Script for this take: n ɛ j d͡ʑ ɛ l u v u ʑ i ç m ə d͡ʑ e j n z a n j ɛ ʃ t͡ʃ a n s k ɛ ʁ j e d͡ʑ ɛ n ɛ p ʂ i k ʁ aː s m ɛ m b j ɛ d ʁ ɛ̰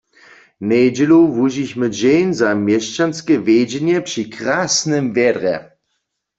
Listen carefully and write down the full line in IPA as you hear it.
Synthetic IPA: n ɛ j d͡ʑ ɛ l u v u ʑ i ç m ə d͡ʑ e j n z a m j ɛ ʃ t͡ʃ a n s k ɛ v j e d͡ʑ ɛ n ɛ p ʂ i k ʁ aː s n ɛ m v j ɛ d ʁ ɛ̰